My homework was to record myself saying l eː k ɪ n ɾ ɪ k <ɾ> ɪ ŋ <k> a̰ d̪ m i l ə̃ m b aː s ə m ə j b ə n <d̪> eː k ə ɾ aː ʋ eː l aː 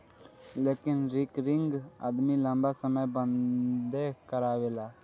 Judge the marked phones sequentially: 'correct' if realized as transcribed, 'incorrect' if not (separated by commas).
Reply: correct, incorrect, correct